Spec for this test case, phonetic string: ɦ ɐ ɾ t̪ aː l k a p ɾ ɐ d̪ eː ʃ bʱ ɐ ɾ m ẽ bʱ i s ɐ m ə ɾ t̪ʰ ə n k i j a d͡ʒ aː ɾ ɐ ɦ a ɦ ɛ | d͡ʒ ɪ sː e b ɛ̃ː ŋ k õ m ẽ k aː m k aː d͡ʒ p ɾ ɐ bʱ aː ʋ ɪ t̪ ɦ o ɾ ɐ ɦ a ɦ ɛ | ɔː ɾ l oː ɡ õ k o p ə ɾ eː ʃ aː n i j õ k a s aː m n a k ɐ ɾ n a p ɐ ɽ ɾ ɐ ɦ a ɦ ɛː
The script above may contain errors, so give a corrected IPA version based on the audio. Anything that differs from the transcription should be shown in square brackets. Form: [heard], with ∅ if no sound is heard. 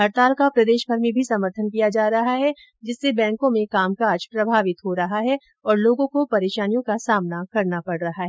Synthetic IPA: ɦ ɐ ɾ t̪ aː l k a p ɾ ɐ d̪ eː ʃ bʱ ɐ ɾ m ẽ bʱ i s ɐ m ə ɾ t̪ʰ ə n k i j a d͡ʒ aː ɾ ɐ ɦ a ɦ ɛ | d͡ʒ ɪ sː e b ɛ̃ː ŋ k õ m ẽ k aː m k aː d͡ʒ p ɾ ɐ bʱ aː ʋ ɪ t̪ ɦ o ɾ ɐ ɦ a ɦ ɛ | ɔː ɾ l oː ɡ õ k o p [ɐ] ɾ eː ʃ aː n i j õ k a s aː m n a k ɐ ɾ n a p ɐ ɽ ɾ ɐ ɦ a ɦ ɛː